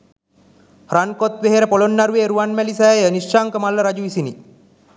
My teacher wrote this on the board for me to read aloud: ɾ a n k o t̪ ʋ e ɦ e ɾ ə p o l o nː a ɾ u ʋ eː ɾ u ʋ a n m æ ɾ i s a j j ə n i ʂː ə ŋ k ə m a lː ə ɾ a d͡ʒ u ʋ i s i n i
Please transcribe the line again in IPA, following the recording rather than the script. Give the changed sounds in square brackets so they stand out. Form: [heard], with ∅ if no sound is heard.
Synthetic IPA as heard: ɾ a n k o t̪ ʋ e ɦ e ɾ ə p o l o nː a ɾ u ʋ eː ɾ u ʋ a n m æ [l] i s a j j ə n i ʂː [a] ŋ k ə m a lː ə ɾ a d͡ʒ u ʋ i s i n i